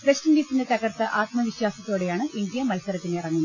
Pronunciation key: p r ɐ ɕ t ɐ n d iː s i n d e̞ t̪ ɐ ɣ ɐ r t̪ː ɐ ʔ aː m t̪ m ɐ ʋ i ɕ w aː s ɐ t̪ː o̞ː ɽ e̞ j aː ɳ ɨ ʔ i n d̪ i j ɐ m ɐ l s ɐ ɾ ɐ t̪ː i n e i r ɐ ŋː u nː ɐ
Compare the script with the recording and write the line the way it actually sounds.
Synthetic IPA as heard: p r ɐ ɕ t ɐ n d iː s i n d e̞ t̪ ɐ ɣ ɐ r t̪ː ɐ ʔ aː t̪ m ɐ ʋ i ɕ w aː s ɐ t̪ː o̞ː ɽ e̞ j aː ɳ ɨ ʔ i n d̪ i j ɐ m ɐ l s ɐ ɾ ɐ t̪ː i n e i r ɐ ŋː u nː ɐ